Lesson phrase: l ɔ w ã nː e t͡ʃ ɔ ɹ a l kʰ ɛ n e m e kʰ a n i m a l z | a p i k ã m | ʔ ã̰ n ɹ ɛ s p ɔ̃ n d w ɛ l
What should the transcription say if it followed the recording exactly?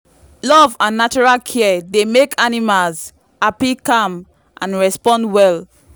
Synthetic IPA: l ɔ v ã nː a t͡ʃ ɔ ɹ a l kʰ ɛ d e m e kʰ a n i m a l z | a p i k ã m | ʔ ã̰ n ɹ ɛ s p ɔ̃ n d w ɛ l